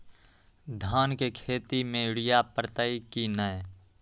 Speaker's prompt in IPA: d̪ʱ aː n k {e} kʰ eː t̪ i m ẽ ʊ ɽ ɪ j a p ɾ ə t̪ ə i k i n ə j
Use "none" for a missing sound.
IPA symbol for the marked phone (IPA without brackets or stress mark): e